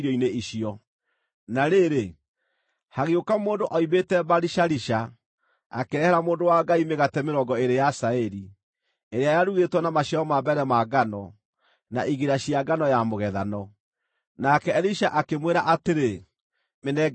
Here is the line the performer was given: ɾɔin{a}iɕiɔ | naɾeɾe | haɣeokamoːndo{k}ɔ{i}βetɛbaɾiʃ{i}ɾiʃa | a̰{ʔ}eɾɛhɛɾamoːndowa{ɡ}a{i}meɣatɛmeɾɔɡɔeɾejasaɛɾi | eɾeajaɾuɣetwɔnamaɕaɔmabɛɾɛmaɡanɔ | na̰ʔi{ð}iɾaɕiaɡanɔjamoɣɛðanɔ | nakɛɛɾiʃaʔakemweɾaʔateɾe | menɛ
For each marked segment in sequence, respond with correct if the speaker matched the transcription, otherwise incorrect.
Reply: incorrect, incorrect, correct, incorrect, incorrect, correct, correct, incorrect

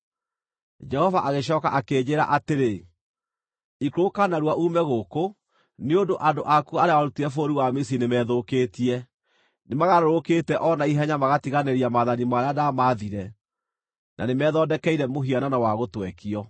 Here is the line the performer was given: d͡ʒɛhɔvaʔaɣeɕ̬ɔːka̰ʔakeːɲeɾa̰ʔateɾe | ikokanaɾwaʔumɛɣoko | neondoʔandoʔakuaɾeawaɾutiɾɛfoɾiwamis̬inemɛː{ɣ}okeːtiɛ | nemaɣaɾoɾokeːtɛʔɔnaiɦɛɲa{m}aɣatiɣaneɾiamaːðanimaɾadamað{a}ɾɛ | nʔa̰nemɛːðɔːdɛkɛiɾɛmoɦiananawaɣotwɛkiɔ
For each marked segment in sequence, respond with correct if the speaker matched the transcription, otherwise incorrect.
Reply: incorrect, correct, incorrect

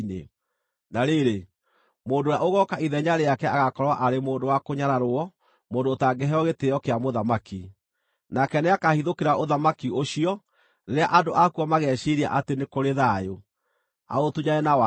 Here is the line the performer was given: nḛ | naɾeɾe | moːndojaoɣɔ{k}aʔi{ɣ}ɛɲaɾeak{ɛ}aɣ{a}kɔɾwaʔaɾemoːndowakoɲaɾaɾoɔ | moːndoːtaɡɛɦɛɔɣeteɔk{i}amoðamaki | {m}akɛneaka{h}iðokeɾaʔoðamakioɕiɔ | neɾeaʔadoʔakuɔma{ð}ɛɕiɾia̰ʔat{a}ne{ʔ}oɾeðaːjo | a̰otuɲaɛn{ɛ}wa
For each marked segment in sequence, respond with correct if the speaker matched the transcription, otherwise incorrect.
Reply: correct, incorrect, correct, correct, incorrect, incorrect, correct, incorrect, incorrect, incorrect, incorrect

